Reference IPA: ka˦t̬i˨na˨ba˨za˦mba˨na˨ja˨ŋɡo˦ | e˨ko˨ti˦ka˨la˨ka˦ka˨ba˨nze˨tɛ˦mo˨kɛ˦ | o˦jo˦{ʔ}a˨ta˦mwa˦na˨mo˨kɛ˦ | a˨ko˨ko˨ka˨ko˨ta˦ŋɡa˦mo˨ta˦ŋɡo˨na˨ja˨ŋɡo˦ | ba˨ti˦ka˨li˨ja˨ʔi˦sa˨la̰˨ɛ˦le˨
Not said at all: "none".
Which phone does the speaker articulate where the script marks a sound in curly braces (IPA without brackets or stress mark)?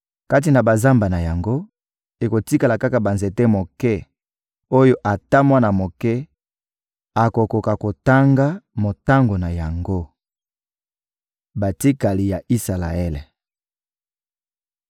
ʔ